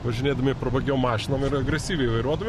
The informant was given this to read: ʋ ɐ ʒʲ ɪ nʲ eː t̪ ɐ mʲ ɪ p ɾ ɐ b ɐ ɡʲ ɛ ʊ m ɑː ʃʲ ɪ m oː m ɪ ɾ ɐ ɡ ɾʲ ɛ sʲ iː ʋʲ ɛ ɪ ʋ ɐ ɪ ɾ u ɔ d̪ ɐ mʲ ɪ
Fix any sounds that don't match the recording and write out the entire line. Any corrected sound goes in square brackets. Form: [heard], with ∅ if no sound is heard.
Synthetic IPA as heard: ʋ ɐ ʒʲ ɪ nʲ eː [d̪] ɐ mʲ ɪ p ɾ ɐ b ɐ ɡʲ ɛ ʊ m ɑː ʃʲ ɪ [n] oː m ɪ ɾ ɐ ɡ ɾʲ ɛ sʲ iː ʋʲ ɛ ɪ ʋ ɐ ɪ ɾ u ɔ d̪ ɐ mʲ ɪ